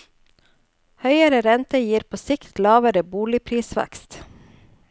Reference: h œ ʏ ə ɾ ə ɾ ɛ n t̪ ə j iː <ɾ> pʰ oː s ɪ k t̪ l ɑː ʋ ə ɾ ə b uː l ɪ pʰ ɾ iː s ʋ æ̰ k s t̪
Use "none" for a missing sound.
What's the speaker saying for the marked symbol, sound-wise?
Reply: ɾ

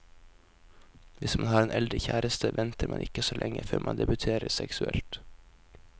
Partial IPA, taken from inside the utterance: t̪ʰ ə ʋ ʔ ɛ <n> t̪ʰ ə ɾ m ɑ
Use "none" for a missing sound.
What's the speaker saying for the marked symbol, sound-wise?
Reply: n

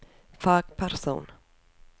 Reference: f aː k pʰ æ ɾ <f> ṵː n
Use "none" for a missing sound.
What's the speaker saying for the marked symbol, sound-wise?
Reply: s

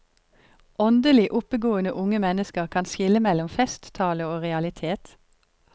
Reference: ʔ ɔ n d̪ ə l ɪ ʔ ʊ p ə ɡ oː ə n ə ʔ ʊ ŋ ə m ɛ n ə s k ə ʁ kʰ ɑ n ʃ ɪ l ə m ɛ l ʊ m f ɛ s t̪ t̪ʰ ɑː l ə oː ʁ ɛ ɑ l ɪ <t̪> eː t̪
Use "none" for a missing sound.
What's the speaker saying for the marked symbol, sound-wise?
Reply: t̪ʰ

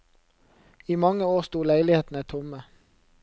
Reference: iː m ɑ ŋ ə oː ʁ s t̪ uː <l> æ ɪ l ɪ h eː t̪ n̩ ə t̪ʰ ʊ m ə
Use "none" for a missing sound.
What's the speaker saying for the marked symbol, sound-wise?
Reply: l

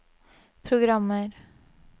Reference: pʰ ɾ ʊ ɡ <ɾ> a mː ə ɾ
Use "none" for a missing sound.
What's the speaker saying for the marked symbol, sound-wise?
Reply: ɾ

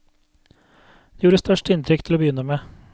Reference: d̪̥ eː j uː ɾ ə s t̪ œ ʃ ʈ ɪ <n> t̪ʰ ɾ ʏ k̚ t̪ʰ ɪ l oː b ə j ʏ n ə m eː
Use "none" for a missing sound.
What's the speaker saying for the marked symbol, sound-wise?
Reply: n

